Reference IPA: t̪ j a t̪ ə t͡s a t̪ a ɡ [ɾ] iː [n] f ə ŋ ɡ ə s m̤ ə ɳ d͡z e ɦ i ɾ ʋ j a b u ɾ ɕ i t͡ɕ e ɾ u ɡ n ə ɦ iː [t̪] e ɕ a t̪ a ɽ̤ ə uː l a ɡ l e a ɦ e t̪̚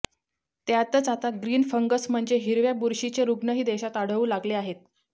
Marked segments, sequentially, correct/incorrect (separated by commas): correct, correct, incorrect